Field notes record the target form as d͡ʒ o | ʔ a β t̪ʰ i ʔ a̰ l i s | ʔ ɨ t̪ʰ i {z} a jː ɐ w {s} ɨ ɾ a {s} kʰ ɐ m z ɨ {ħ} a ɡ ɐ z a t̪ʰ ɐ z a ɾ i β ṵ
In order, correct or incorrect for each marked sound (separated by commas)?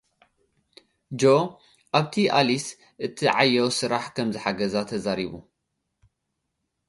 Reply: incorrect, correct, incorrect, correct